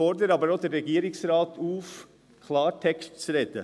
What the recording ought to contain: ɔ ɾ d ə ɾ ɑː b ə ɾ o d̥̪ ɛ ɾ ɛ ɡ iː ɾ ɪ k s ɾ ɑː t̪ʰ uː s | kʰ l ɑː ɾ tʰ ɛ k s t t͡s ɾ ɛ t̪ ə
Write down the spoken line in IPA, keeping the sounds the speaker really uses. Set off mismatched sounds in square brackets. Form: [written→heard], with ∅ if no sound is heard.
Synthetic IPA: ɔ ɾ d ə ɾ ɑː b ə ɾ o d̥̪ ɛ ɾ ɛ ɡ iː ɾ ɪ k s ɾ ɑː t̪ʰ uː [s→f] | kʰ l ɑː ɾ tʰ ɛ k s t t͡s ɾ ɛ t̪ ə